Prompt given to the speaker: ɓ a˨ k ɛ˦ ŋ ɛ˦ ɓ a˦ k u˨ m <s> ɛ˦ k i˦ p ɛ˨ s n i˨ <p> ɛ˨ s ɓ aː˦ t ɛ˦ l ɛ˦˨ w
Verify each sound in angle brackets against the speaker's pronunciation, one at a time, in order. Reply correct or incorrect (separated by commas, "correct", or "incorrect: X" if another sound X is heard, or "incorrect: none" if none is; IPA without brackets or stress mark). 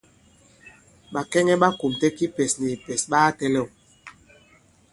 incorrect: t, correct